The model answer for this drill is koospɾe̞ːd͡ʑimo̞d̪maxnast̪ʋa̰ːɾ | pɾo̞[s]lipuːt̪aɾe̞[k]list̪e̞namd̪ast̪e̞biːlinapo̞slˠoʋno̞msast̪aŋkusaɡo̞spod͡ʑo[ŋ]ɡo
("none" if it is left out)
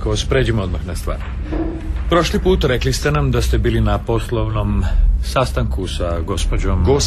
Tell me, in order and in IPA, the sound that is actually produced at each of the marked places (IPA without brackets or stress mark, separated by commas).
ʃ, k, m